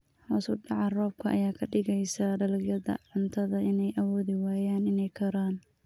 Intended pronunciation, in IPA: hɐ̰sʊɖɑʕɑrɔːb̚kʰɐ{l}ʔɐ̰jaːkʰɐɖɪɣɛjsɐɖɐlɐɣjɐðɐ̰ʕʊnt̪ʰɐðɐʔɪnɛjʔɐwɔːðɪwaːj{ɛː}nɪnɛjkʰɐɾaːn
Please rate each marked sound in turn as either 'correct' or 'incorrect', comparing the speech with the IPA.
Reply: incorrect: none, incorrect: aː

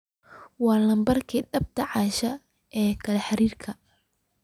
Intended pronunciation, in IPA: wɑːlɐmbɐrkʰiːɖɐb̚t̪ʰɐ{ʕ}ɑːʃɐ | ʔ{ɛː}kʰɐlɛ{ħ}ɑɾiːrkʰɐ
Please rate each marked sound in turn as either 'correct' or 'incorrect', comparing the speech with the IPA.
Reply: correct, correct, correct

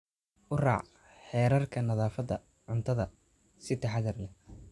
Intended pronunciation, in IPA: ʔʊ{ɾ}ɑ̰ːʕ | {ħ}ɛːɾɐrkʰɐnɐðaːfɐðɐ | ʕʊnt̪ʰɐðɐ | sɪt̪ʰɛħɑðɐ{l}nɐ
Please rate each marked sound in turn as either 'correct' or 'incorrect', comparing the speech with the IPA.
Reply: incorrect: r, correct, incorrect: r

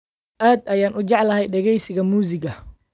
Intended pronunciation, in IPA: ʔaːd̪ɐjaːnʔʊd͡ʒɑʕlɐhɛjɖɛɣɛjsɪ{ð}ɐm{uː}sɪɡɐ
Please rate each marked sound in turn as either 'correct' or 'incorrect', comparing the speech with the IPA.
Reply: incorrect: ɣ, correct

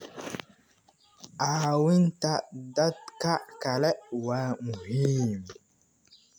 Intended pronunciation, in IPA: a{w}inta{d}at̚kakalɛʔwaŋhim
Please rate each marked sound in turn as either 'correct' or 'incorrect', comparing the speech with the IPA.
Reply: correct, correct

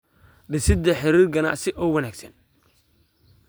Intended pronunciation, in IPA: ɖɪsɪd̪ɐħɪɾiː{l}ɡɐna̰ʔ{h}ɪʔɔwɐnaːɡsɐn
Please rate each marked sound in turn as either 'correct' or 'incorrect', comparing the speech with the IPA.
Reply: incorrect: r, incorrect: s

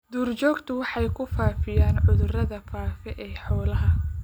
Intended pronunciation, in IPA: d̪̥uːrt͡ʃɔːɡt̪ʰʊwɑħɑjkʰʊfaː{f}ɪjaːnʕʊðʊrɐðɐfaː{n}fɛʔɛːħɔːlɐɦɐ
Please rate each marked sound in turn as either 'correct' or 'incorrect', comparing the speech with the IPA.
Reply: correct, incorrect: none

